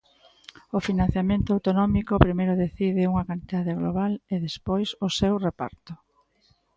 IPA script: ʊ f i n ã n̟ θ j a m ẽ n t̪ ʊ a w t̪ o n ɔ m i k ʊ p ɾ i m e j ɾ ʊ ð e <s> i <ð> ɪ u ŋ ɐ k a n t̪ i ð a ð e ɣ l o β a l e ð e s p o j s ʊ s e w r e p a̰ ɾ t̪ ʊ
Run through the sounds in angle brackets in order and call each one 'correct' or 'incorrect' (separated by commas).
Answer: incorrect, correct